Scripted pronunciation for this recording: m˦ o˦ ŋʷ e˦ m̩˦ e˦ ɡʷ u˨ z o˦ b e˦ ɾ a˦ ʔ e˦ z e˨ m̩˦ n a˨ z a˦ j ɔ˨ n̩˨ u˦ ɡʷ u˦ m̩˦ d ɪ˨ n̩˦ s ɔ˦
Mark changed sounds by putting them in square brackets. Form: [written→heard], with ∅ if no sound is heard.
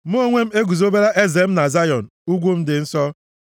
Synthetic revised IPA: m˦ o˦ ŋʷ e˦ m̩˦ e˦ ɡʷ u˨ z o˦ b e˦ ɾ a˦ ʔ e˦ z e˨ m̩˦ n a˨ z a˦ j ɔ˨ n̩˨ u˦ ɡʷ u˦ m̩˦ d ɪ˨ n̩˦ s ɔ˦